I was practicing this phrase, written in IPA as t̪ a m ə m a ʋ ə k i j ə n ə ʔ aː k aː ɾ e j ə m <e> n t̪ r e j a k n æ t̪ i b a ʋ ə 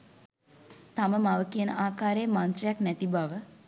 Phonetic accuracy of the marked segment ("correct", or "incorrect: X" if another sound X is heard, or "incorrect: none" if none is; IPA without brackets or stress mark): incorrect: a